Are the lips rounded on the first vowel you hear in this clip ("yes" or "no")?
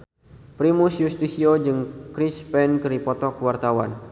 no